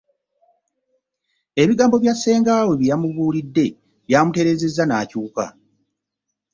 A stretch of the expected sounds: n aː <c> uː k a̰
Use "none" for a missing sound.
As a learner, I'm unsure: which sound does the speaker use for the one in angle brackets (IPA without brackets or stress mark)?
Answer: c